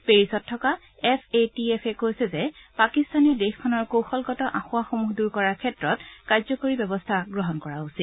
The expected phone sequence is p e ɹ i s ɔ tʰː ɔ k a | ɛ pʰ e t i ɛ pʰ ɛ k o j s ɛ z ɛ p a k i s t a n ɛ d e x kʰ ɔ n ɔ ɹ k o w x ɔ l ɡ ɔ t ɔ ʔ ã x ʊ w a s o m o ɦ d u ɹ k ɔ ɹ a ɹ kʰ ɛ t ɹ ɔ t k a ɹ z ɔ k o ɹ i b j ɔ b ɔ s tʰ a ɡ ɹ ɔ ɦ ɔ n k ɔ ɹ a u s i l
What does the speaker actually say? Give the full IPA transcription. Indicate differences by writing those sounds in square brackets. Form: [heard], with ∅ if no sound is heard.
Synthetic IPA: p e ɹ i s ɔ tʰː ɔ k a | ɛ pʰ e t i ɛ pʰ ɛ k o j s ɛ z ɛ p a k i s t a n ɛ d e x kʰ ɔ n ɔ ɹ k o w x ɔ l ɡ ɔ t ɔ ʔ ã x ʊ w a [x] o m [u] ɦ d u ɹ k ɔ ɹ a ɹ kʰ ɛ t ɹ ɔ t k a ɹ z ɔ k o ɹ i b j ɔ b ɔ s tʰ a ɡ ɹ ɔ ɦ ɔ n k ɔ ɹ a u s i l